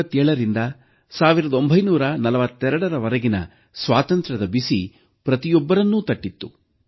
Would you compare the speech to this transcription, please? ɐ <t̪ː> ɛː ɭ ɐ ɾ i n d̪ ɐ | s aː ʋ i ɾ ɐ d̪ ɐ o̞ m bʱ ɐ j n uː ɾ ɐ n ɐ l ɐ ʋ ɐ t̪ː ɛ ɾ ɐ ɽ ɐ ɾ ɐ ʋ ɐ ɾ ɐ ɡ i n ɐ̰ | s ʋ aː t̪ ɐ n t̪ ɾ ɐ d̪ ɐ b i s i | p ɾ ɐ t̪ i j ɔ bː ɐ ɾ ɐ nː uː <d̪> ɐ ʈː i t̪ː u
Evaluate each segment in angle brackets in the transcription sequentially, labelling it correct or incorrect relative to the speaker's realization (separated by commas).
correct, incorrect